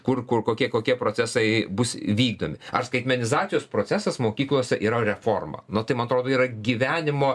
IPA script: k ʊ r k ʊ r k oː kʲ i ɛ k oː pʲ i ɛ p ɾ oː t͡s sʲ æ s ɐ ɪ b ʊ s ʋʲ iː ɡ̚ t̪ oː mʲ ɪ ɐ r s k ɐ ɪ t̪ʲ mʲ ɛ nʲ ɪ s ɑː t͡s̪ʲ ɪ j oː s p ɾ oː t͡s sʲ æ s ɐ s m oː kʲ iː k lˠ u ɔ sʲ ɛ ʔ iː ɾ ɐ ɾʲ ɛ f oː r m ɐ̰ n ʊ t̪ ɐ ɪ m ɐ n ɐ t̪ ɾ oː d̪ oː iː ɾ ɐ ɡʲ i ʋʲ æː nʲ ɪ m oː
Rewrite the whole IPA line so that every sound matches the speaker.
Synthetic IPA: k ʊ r k ʊ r k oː kʲ i ɛ k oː kʲ i ɛ p ɾ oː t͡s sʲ æ s ɐ ɪ b ʊ s ʋʲ iː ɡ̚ d̪ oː mʲ ɪ ɐ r s k ɐ ɪ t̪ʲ mʲ ɛ nʲ ɪ z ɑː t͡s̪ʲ ɪ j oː s p ɾ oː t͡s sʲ æ s ɐ s m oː kʲ iː k lˠ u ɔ sʲ ɛ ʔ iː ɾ ɐ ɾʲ ɛ f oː r m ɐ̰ n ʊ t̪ ɐ ɪ m ɐ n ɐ t̪ ɾ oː d̪ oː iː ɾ ɐ ɡʲ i ʋʲ æː nʲ ɪ m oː